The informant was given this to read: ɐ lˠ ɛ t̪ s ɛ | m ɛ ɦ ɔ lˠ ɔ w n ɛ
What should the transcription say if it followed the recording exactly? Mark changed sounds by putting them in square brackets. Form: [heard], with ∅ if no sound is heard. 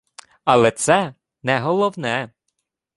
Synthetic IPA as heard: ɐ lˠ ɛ t̪ s ɛ | [n] ɛ ɦ ɔ lˠ ɔ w n ɛ